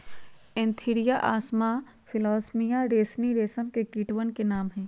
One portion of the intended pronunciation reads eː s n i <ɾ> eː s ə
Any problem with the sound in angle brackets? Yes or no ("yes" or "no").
no